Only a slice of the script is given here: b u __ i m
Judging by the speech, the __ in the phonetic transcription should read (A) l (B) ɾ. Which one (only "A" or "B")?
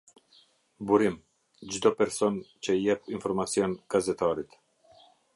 B